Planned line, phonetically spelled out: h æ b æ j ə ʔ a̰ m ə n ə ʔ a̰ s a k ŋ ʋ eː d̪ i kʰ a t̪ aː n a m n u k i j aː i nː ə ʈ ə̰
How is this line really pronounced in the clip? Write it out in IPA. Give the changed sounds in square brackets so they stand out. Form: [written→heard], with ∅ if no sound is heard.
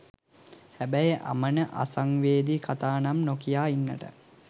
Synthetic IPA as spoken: h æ b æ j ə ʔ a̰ m ə n ə ʔ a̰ s a [k→∅] ŋ ʋ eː d̪ i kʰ a t̪ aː n a m n [u→o] k i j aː i nː ə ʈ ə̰